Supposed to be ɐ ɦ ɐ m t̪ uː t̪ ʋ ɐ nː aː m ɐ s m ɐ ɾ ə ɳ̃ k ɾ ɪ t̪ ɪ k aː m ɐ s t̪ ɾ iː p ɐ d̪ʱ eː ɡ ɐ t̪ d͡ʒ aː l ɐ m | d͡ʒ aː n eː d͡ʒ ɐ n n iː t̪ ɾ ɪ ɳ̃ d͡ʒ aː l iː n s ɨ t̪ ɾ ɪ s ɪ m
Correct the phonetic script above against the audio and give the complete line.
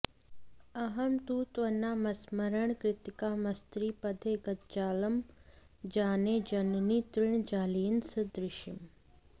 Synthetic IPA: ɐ ɦ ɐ m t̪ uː t̪ ʋ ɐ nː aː m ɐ s m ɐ ɾ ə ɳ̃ k ɾ ɪ t̪ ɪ k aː m ɐ s t̪ ɾ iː p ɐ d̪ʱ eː ɡ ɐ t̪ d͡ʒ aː l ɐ m | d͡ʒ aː n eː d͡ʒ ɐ n n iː t̪ ɾ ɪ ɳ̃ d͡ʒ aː l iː n s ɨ d̪ ɾ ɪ ʃ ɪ m

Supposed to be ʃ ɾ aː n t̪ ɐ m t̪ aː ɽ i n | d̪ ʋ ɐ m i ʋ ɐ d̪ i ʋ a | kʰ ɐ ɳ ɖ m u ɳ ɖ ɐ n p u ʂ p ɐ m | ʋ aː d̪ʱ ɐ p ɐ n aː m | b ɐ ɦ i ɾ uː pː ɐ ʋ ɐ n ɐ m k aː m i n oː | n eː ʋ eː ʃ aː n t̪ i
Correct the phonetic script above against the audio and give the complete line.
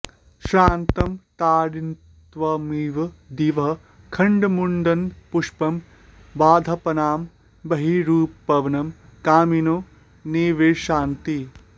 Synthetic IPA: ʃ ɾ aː n t̪ ɐ m t̪ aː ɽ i n | t̪ ʋ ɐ m i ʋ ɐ d̪ i ʋ ɐ | kʰ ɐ ɳ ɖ m u ɳ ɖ ɐ n p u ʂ p ɐ m | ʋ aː d̪ʱ ɐ p ɐ n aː m | b ɐ ɦ i ɾ uː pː ɐ ʋ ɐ n ɐ m k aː m i n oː | n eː ʋ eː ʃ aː n t̪ i

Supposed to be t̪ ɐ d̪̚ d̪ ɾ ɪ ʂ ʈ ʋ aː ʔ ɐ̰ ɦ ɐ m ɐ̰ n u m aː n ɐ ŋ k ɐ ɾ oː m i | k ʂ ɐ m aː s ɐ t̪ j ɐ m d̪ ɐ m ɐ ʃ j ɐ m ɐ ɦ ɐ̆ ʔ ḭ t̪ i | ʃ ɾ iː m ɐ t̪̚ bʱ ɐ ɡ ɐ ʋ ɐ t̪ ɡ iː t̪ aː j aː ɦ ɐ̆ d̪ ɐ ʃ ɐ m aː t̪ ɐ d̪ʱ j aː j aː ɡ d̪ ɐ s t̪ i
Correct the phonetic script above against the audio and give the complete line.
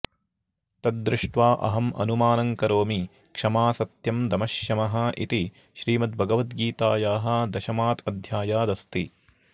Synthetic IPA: t̪ ɐ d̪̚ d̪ ɾ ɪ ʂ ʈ ʋ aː ʔ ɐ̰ ɦ ɐ m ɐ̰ n u m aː n ɐ ŋ k ɐ ɾ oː m i | k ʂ ɐ m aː s ɐ t̪ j ɐ m d̪ ɐ m ɐ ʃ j ɐ m ɐ ɦ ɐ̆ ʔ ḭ t̪ i | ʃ ɾ iː m ɐ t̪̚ bʱ ɐ ɡ ɐ ʋ ɐ t̪ ɡ iː t̪ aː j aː ɦ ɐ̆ d̪ ɐ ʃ ɐ m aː t̪ ɐ d̪ʱ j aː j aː d̪ ɐ s t̪ i

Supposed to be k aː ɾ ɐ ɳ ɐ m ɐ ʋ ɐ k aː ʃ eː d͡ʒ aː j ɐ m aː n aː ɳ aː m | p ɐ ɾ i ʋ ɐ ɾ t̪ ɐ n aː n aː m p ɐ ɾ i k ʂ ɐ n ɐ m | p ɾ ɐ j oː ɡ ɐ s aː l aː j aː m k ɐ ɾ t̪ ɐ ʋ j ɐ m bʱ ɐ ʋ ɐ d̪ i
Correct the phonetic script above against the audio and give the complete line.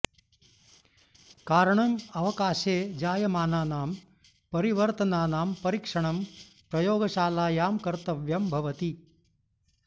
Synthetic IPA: k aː ɾ ɐ ɳ ɐ m ɐ ʋ ɐ k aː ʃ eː d͡ʒ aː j ɐ m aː n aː n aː m | p ɐ ɾ i ʋ ɐ ɾ t̪ ɐ n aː n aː m p ɐ ɾ i k ʂ ɐ ɳ ɐ m | p ɾ ɐ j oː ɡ ɐ ʃ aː l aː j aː m k ɐ ɾ t̪ ɐ ʋ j ɐ m bʱ ɐ ʋ ɐ t̪ i

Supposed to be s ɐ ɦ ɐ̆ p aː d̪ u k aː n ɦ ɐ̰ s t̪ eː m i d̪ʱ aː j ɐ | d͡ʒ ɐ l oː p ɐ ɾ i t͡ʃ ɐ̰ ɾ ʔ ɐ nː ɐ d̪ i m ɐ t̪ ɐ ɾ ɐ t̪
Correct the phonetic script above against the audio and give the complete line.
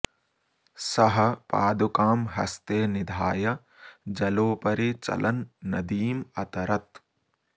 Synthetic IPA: s ɐ ɦ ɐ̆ p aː d̪ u k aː m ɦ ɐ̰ s t̪ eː n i d̪ʱ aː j ɐ | d͡ʒ ɐ l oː p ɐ ɾ i t͡ʃ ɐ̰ l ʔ ɐ nː ɐ d̪ iː m ɐ t̪ ɐ ɾ ɐ t̪

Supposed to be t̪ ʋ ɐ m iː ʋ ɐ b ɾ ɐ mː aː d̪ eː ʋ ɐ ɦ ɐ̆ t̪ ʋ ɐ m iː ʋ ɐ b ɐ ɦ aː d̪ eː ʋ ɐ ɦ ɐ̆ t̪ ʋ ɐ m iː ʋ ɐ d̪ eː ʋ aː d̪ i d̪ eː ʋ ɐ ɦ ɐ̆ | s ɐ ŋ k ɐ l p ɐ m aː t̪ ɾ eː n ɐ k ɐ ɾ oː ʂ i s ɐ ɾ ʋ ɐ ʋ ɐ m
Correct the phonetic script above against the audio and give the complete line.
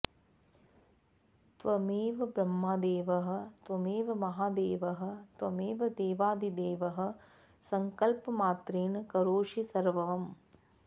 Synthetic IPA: t̪ ʋ ɐ m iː ʋ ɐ b ɾ ɐ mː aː d̪ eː ʋ ɐ ɦ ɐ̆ t̪ ʋ ɐ m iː ʋ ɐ m ɐ ɦ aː d̪ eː ʋ ɐ ɦ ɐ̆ t̪ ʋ ɐ m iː ʋ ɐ d̪ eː ʋ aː d̪ i d̪ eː ʋ ɐ ɦ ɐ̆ | s ɐ ŋ k ɐ l p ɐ m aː t̪ ɾ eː n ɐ k ɐ ɾ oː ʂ i s ɐ ɾ ʋ ɐ ʋ ɐ m

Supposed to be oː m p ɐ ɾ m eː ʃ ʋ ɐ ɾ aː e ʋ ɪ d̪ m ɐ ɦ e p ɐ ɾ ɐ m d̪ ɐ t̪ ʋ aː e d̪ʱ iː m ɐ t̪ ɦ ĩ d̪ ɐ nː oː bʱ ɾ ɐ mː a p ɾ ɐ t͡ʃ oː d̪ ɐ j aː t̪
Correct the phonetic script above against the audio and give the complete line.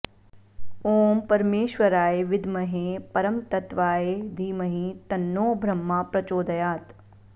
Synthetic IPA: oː m p ɐ ɾ m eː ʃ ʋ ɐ ɾ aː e ʋ ɪ d̪ m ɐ ɦ e p ɐ ɾ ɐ m t̪ ɐ t̪ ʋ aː e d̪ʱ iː m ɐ ɦ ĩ t̪ ɐ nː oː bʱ ɾ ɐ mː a p ɾ ɐ t͡ʃ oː d̪ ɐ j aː t̪

